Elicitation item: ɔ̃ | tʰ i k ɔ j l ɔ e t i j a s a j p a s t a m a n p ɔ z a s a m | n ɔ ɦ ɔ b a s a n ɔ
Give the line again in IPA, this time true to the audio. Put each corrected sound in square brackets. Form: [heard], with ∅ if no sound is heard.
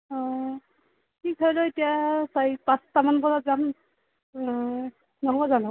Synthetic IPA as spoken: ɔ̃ | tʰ i k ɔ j l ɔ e t i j a s a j p a s t a m a n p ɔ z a [z] a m | n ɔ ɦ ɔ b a [z] a n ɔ